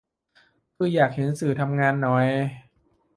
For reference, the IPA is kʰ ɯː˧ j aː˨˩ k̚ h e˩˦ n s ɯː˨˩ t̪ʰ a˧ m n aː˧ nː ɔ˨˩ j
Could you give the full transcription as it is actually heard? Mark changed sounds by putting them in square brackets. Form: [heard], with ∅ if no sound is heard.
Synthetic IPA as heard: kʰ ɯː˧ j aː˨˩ k̚ h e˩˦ n s ɯː˨˩ t̪ʰ a˧ m [ŋ] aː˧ nː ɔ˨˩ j